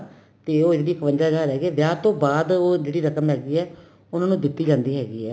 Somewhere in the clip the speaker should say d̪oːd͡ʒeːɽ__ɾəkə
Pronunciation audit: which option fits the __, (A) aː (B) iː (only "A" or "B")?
B